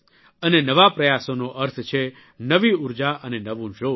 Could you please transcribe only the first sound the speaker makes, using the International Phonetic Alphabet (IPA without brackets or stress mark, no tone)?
ə